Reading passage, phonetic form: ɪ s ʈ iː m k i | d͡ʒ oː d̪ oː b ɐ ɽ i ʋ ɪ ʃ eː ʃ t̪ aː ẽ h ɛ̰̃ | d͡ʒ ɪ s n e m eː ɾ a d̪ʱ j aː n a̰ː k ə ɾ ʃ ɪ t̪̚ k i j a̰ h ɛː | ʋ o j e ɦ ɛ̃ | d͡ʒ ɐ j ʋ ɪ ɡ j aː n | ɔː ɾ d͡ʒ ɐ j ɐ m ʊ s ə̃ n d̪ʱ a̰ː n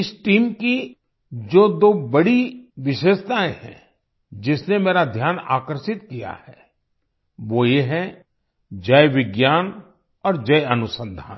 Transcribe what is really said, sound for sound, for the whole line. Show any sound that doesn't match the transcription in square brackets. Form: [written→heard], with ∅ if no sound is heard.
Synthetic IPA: ɪ s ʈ iː m k i | d͡ʒ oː d̪ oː b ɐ ɽ i ʋ ɪ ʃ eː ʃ t̪ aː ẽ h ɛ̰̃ | d͡ʒ ɪ s n e m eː ɾ a d̪ʱ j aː n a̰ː k ə ɾ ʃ ɪ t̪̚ k i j a̰ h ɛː | ʋ o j e ɦ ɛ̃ | d͡ʒ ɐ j ʋ ɪ ɡ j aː n | ɔː ɾ d͡ʒ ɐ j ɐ [m→n] ʊ s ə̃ n d̪ʱ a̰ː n